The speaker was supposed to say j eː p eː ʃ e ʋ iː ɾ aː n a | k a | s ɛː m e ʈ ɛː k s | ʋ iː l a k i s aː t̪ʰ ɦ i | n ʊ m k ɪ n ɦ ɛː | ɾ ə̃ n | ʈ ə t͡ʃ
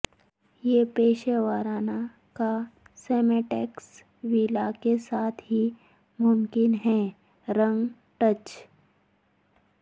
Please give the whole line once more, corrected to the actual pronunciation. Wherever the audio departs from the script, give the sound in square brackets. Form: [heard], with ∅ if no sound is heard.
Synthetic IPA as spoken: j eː p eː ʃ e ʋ [aː] ɾ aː n a | k a | s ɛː m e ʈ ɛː k s | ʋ iː l a k [e] s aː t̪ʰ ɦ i | [m] ʊ m k ɪ n ɦ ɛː | ɾ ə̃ [ŋ] | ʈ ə t͡ʃ